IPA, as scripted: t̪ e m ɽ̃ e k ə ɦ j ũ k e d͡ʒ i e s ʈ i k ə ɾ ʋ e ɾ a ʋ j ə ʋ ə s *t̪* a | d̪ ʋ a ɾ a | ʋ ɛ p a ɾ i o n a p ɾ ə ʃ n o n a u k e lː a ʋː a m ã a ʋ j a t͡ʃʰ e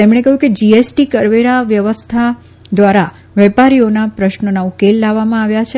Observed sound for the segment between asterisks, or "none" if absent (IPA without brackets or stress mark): t̪ʰ